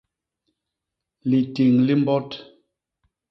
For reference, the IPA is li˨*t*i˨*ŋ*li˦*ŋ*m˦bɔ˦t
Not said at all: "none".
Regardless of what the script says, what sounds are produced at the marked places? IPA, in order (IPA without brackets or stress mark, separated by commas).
t, ŋ, none